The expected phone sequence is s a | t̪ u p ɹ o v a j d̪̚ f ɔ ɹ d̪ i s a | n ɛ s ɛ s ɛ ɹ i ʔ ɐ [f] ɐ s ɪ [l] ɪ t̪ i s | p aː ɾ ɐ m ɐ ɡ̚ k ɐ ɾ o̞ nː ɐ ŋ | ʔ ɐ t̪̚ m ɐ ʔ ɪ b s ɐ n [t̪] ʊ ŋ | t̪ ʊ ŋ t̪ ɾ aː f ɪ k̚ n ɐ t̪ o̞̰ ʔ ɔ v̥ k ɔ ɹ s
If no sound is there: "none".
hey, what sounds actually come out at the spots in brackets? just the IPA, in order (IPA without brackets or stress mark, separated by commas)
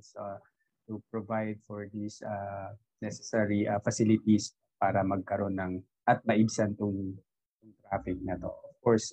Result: f, l, t̪